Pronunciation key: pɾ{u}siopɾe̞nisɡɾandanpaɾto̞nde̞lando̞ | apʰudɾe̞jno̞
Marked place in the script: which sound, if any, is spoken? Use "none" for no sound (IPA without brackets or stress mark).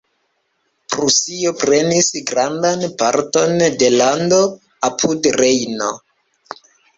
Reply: u